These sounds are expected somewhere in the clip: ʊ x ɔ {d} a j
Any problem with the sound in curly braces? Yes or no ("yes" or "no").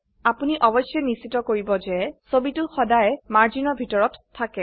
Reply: no